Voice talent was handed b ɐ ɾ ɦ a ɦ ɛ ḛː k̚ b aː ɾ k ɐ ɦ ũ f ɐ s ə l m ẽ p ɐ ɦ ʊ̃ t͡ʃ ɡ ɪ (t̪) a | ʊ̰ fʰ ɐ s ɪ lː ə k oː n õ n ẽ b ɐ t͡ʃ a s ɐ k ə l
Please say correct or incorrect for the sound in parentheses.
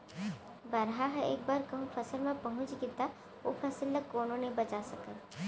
correct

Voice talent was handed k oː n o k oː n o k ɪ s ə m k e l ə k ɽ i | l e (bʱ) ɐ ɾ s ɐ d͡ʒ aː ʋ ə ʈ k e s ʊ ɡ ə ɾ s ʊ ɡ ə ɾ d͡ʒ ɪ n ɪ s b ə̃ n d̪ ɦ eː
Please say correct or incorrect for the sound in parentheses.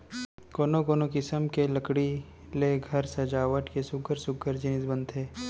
incorrect: ɡʱ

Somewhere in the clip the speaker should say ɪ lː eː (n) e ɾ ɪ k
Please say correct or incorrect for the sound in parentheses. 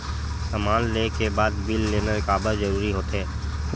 correct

